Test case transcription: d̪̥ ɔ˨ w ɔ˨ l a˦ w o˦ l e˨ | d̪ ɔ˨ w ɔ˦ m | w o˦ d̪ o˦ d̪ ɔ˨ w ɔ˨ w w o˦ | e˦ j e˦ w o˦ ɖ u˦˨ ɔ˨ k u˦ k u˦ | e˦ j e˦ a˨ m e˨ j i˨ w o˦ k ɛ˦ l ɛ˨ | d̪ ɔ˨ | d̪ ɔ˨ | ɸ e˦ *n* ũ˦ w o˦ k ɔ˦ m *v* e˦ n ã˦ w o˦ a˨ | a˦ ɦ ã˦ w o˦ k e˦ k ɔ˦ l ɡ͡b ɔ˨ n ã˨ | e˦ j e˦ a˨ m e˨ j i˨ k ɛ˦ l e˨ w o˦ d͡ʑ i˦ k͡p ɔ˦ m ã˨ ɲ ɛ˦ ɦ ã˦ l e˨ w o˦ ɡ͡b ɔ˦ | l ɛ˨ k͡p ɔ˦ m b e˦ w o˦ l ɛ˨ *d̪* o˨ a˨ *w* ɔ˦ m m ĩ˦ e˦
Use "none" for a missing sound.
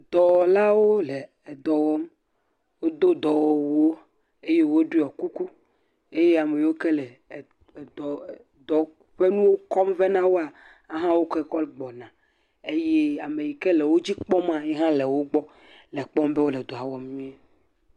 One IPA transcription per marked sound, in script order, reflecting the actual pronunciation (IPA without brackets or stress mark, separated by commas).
n, v, d̪, w